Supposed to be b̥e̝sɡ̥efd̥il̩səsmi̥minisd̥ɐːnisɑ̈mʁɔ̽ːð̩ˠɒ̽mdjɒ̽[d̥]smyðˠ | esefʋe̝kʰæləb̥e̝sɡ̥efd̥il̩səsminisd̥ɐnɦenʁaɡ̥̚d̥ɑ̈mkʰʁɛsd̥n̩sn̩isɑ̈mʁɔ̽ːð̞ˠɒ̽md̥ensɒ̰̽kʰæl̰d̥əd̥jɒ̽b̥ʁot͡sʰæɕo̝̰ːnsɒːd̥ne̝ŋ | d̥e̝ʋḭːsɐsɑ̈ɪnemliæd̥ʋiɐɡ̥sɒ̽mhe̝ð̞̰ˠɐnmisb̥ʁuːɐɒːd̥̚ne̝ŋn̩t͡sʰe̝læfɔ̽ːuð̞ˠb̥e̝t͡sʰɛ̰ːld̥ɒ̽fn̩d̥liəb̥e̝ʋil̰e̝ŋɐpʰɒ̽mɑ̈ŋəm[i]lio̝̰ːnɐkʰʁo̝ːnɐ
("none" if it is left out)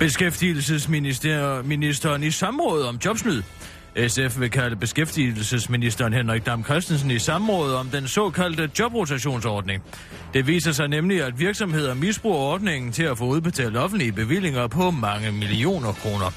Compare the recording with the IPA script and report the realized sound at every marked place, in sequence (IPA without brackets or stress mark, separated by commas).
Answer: b̥, i